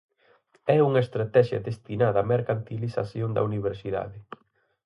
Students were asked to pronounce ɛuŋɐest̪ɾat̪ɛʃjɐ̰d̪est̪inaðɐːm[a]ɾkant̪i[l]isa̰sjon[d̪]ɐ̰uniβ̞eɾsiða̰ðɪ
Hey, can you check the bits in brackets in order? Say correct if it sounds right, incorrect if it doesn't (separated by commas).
incorrect, correct, correct